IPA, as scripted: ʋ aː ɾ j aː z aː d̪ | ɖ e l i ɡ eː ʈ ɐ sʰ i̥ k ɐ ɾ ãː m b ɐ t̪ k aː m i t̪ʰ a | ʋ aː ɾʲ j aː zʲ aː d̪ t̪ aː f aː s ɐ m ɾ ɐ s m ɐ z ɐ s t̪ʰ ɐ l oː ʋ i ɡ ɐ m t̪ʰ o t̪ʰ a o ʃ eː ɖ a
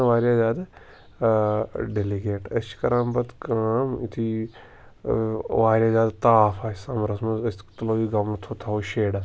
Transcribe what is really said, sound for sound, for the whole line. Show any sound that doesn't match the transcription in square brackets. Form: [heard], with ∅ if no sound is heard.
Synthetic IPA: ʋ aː ɾ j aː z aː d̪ | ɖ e l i ɡ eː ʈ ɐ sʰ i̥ k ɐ ɾ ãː m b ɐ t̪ k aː m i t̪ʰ [i] | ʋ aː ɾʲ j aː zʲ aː d̪ t̪ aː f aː s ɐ m ɾ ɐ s m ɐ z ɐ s [t̪] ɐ l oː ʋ i ɡ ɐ m t̪ʰ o t̪ʰ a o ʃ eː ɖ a